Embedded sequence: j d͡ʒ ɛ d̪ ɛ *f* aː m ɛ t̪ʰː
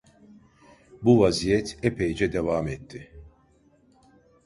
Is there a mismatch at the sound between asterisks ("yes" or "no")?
yes